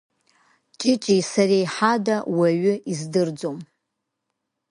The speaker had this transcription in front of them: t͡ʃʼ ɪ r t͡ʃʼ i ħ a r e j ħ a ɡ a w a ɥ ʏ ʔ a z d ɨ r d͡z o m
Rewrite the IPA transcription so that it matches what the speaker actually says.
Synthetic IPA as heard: t͡ʃʼ ɪ t͡ʃʼ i s a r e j ħ a d a w a ɥ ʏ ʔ i z d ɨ r d͡z o m

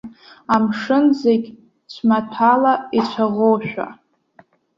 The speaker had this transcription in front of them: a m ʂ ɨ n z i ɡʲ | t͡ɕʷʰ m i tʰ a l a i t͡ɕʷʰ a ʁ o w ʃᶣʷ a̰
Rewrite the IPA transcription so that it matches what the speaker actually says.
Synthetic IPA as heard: a m ʂ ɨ n z e ɡʲ | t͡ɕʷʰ m a tʰ a l a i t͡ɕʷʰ a ʁ o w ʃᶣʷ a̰

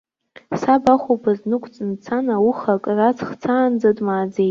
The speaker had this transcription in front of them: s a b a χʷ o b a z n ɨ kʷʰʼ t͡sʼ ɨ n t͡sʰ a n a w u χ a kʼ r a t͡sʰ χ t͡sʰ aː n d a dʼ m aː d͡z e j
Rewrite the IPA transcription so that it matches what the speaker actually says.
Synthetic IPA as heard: s a b a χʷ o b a z n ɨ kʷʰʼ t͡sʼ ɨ n t͡sʰ a n a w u χ a kʼ r a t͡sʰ χ t͡sʰ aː n d͡z a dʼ m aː d͡z e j

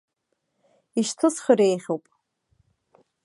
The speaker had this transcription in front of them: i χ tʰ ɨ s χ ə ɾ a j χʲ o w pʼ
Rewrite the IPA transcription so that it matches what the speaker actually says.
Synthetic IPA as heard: i ʃ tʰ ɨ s χ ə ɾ e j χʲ o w pʼ

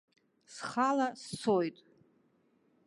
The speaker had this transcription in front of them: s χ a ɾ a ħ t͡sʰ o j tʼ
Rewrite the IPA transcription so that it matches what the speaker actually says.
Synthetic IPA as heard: s χ a l a s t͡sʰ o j tʼ

